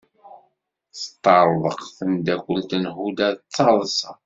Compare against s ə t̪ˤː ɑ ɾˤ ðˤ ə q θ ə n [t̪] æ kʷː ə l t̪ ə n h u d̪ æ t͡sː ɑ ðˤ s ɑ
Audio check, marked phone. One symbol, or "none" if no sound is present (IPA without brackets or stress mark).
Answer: d̪